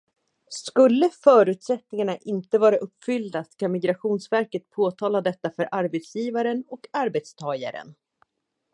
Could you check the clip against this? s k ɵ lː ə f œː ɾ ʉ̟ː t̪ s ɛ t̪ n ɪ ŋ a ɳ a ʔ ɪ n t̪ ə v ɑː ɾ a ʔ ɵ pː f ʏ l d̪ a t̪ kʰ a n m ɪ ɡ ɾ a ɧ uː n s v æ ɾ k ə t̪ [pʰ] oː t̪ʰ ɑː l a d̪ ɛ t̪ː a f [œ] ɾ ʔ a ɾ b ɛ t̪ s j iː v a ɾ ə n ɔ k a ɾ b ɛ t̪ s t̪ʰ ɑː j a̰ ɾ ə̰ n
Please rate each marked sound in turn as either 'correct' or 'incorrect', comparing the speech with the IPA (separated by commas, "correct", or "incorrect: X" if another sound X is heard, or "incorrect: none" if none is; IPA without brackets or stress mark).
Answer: correct, correct